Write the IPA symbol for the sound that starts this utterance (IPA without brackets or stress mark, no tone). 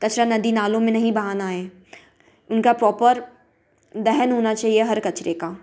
k